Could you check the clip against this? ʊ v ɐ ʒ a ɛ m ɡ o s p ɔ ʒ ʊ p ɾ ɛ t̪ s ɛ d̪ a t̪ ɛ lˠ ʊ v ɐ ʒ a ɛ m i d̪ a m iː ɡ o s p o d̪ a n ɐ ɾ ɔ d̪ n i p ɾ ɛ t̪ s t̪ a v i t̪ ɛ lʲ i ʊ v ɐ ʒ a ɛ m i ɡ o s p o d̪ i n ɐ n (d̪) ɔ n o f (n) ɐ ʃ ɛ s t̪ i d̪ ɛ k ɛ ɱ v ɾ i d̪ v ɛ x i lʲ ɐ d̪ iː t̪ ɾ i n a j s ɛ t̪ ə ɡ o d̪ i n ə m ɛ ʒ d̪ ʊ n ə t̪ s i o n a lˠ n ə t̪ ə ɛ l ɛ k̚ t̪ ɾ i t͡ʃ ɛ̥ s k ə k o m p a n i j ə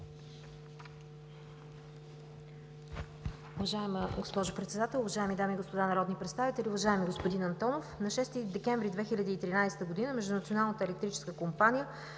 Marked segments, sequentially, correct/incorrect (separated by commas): incorrect, correct